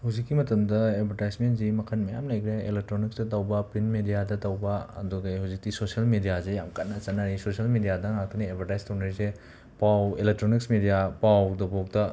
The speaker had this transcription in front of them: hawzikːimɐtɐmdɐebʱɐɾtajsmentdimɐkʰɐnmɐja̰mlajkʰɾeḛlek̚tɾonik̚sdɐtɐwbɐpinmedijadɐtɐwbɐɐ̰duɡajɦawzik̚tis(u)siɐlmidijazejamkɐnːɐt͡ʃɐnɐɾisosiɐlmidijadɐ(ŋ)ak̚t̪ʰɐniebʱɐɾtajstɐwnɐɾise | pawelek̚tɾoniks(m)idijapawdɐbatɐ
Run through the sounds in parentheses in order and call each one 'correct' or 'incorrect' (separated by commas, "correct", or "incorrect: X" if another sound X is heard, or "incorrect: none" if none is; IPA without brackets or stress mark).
incorrect: o, correct, correct